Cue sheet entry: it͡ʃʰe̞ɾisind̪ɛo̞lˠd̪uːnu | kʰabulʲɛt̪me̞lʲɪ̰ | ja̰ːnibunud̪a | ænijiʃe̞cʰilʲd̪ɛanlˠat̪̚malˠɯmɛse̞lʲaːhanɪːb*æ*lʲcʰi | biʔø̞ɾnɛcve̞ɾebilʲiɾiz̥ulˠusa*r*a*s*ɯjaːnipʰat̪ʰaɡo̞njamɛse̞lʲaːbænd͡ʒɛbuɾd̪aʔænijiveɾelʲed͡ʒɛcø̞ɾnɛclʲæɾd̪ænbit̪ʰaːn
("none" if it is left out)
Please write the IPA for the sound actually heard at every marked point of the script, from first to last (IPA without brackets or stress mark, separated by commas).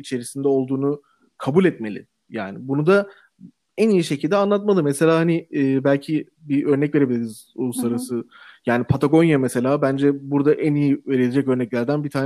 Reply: æ, ɾ, s